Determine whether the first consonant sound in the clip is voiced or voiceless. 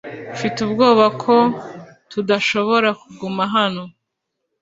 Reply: voiceless